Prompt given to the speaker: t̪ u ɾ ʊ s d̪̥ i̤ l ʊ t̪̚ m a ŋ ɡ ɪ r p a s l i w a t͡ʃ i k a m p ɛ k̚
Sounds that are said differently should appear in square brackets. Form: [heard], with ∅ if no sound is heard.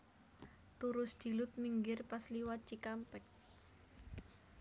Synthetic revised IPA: t̪ u ɾ ʊ s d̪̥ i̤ l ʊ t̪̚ m [i] ŋ ɡ ɪ r p a s l i w a t͡ʃ i k a m p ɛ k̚